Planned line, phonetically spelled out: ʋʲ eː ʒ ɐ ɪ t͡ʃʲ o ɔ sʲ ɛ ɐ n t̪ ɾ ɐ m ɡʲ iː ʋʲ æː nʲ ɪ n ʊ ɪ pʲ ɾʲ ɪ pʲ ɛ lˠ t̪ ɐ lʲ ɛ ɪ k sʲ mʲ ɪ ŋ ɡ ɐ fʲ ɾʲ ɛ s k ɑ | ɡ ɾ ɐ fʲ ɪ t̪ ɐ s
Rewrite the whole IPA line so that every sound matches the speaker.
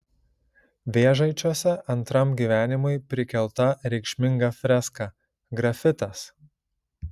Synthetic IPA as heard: ʋʲ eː ʒ ɐ ɪ t͡ʃʲ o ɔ sʲ ɛ ɐ n t̪ ɾ ɐ m ɡʲ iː ʋʲ æː nʲ ɪ m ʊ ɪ pʲ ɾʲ ɪ kʲ ɛ lˠ t̪ ɐ ɾʲ ɛ ɪ k ʃʲ mʲ ɪ ŋ ɡ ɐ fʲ ɾʲ ɛ s k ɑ | ɡ ɾ ɐ fʲ ɪ t̪ ɐ s